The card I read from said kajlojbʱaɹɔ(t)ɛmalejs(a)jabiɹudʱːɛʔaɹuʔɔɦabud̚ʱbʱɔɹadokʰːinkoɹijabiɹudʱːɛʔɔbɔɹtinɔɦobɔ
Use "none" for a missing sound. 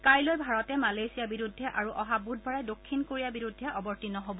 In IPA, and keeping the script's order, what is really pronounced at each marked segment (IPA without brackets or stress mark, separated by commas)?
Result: t, i